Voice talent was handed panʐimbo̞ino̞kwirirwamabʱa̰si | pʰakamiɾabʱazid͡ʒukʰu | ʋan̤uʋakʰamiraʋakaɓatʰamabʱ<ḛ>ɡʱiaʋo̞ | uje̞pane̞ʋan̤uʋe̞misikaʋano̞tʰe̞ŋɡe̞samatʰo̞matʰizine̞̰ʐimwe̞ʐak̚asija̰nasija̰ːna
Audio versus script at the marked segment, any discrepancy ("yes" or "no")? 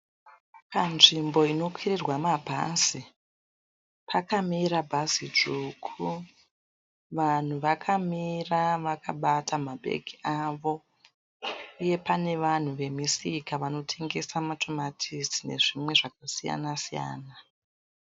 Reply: no